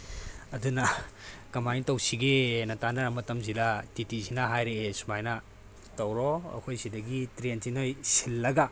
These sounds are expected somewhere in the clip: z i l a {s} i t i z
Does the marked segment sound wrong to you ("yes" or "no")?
yes